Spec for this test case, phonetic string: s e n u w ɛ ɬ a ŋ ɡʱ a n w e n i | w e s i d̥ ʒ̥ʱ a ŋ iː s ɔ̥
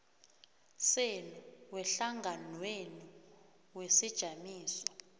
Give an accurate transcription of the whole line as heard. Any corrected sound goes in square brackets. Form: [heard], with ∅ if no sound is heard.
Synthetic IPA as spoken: s e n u w ɛ ɬ a ŋ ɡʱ a n w e n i | w e s i d̥ ʒ̥ʱ a [m] iː s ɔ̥

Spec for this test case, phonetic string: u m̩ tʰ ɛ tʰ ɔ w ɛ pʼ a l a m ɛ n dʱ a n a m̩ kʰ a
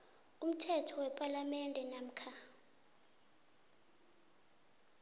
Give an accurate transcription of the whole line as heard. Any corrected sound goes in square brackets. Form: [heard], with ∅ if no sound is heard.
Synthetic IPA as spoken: u m̩ tʰ ɛ tʰ ɔ w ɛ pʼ a l a m ɛ n dʱ [ɛ] n a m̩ kʰ a

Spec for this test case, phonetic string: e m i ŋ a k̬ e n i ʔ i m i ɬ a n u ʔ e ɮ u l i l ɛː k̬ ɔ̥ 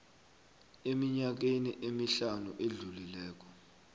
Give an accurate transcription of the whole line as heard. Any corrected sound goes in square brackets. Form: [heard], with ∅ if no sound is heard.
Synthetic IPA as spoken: e m i [ɲ] a k̬ e n i ʔ [e] m i ɬ a n u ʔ e ɮ u l i l ɛː k̬ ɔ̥

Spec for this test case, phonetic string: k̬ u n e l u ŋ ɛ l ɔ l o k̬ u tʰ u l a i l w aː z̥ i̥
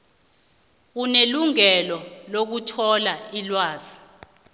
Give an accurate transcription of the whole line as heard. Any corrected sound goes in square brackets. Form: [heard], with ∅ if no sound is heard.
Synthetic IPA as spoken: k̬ u n e l u ŋ ɛ l ɔ l o k̬ u tʰ [ɔ] l a i l w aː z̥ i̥

